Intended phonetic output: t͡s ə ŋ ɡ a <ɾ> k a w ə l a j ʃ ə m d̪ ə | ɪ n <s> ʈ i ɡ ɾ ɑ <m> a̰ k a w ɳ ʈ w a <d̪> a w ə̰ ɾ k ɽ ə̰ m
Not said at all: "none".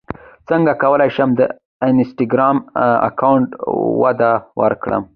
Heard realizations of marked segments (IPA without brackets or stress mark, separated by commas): none, s, m, d̪